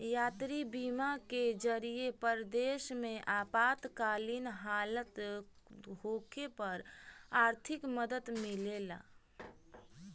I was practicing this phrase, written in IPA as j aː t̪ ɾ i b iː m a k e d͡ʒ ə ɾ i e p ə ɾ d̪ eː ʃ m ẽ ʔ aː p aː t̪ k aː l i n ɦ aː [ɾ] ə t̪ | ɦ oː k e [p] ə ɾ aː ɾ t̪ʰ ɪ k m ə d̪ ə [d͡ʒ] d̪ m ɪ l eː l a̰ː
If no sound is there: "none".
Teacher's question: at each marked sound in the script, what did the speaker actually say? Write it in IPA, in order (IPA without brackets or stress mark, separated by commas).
l, p, none